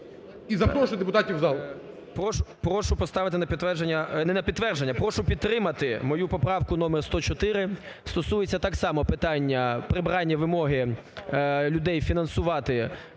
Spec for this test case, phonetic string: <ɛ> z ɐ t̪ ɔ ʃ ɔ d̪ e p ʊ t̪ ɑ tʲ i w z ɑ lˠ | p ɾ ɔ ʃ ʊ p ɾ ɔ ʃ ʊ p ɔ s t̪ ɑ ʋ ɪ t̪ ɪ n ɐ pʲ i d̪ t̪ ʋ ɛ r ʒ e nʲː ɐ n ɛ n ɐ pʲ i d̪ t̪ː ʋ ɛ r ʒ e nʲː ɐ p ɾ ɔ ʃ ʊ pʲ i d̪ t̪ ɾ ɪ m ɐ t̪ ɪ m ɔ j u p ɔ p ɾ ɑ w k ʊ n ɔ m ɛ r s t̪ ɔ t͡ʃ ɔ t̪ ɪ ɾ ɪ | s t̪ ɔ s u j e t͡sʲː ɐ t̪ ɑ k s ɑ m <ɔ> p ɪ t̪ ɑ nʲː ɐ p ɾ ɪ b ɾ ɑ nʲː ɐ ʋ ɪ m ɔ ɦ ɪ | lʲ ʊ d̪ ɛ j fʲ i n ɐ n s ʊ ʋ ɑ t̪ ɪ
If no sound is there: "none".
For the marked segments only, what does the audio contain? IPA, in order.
i, ɔ

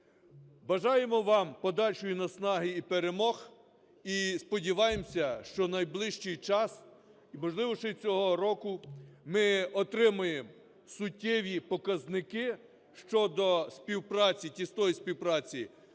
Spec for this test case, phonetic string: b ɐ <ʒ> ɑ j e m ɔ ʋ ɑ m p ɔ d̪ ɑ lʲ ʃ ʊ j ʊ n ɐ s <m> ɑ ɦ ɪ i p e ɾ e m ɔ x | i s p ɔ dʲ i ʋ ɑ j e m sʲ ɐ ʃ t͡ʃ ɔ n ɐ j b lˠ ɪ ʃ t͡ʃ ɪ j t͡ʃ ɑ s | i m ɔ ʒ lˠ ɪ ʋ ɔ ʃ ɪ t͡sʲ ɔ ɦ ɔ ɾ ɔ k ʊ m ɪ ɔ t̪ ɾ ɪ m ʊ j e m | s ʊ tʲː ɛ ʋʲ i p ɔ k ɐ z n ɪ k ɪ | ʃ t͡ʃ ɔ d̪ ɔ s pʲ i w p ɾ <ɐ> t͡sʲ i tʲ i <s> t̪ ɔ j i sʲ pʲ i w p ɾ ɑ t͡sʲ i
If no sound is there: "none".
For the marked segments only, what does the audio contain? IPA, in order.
ʒ, n, ɑ, s

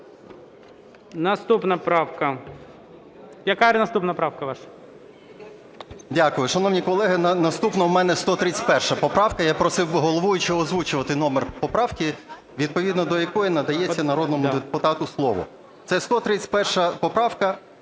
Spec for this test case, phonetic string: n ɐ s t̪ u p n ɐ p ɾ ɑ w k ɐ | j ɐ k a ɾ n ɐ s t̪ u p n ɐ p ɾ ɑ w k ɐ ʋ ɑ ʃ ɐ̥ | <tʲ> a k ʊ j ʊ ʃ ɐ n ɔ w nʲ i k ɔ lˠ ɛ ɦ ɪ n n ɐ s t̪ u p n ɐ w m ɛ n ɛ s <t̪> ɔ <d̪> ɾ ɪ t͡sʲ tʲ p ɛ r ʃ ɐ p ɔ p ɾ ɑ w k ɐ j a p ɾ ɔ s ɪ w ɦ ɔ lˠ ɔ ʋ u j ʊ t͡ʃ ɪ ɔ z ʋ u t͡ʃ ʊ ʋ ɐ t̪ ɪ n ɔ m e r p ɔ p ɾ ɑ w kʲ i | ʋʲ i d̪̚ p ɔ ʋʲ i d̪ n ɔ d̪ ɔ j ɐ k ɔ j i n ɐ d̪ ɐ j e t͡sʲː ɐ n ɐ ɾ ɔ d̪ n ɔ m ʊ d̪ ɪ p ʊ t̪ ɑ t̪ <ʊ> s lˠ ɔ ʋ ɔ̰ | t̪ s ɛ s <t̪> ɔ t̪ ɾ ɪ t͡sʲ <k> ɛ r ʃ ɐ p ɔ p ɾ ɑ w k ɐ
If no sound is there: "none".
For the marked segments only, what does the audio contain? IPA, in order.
dʲ, t̪, t̪, ʊ, t̪, p

